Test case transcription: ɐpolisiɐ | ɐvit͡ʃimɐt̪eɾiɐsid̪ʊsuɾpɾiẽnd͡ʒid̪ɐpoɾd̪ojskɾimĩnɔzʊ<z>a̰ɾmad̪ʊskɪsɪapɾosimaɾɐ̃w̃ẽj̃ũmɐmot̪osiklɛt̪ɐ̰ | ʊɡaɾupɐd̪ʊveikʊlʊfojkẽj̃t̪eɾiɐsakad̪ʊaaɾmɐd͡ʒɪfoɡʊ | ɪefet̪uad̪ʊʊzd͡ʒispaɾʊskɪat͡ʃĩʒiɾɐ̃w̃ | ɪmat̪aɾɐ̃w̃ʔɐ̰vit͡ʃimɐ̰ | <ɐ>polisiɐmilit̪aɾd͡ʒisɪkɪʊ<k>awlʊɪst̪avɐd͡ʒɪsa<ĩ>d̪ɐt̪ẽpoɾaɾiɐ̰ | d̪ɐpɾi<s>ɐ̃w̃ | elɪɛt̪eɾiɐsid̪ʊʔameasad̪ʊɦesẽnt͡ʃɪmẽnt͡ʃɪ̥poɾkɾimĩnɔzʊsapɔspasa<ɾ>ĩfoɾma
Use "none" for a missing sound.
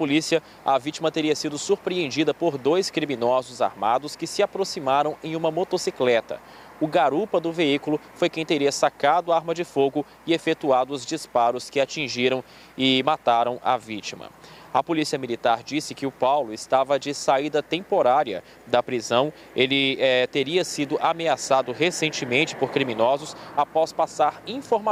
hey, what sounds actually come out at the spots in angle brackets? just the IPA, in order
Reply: z, ɐ, p, i, z, ɾ

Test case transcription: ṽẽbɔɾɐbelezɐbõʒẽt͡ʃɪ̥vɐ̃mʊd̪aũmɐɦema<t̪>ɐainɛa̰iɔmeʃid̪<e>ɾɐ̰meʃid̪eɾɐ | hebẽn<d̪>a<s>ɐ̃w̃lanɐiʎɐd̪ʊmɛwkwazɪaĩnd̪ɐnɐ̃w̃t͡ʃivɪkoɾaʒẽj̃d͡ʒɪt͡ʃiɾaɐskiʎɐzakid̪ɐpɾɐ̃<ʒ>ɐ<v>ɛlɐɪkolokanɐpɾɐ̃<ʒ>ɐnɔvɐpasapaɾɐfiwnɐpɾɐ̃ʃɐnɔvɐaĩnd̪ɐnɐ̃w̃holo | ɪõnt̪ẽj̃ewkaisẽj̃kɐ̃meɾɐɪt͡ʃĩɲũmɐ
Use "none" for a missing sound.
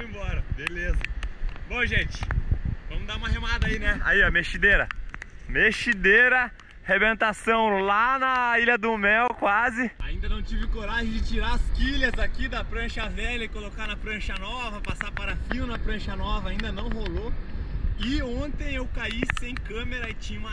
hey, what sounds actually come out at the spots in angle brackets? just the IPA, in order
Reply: d̪, e, t̪, s, ʃ, v, ʃ

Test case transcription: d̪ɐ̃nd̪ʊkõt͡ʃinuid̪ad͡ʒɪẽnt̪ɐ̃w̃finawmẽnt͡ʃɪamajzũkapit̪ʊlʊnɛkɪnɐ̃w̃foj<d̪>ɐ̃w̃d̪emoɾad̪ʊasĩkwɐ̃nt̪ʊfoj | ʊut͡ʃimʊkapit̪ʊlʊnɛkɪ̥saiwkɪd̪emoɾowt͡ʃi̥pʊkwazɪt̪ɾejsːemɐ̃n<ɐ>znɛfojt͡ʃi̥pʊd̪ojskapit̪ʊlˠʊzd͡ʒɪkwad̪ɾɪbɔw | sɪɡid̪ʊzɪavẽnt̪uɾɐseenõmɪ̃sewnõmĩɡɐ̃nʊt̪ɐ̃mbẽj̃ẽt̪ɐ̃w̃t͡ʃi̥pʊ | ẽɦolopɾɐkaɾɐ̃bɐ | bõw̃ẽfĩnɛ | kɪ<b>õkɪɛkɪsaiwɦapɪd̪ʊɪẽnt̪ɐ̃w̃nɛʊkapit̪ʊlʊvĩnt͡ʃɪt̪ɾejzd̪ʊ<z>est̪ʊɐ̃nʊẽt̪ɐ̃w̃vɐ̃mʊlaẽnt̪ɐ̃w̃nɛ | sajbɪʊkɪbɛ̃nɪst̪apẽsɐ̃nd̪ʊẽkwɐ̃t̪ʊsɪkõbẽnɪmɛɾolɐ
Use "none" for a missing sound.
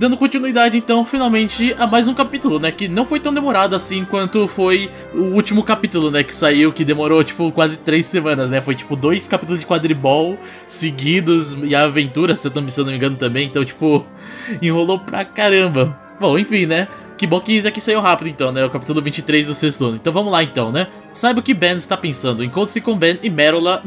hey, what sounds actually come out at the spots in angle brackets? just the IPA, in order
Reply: t̪, ɐ, b, s

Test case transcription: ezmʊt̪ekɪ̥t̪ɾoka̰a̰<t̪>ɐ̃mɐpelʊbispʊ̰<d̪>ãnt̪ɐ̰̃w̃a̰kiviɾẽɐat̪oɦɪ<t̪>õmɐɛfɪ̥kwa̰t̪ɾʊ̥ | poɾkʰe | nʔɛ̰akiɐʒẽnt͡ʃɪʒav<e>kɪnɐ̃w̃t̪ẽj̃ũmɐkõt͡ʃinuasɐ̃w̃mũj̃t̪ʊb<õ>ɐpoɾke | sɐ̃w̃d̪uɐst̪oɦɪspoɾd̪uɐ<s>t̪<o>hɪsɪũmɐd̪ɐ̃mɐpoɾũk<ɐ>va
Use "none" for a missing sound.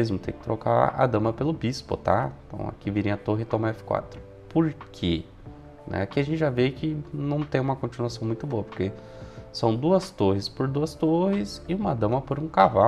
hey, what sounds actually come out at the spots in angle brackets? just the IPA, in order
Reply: d̪, t̪, t̪, e, o, s, o, a

